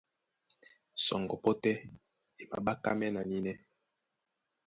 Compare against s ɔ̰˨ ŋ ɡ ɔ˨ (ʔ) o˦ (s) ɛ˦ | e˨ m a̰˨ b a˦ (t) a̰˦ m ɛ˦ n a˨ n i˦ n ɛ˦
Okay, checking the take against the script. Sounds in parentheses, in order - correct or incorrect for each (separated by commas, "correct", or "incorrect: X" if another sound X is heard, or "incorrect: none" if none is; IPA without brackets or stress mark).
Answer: incorrect: p, incorrect: t, incorrect: k